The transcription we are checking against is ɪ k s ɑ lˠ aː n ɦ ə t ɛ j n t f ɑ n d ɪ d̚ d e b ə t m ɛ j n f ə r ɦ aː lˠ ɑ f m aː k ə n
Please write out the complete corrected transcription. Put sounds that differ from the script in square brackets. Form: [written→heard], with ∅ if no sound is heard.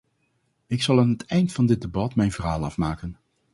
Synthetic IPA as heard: ɪ k s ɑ lˠ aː n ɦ ə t ɛ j n t f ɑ n d ɪ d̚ d e b [ə→ɑ] t m ɛ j n [f→v] ə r ɦ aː lˠ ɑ f m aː k ə n